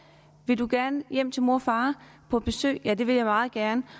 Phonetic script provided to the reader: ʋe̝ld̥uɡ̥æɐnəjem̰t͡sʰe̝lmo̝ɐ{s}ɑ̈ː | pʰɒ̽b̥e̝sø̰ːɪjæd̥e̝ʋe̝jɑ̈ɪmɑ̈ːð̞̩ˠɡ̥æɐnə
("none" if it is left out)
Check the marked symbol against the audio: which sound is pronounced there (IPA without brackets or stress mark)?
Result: f